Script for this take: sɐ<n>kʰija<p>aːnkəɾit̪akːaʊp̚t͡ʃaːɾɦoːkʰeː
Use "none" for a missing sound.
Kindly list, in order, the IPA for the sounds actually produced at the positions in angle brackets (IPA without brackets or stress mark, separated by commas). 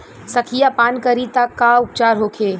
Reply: none, p